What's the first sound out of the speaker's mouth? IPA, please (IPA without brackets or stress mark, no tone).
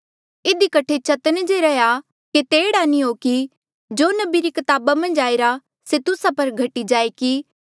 ɪ